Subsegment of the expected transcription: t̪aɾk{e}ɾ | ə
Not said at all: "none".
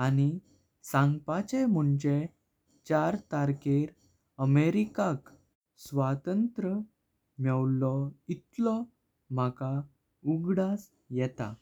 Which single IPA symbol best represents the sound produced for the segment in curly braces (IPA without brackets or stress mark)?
e